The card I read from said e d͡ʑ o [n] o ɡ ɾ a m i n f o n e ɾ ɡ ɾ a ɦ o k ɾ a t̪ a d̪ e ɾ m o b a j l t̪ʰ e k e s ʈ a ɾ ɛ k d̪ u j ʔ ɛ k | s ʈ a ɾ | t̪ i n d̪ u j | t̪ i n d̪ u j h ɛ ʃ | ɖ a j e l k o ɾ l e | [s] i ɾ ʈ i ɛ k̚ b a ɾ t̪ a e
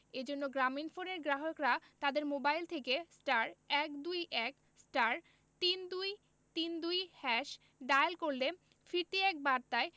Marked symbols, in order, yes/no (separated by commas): no, no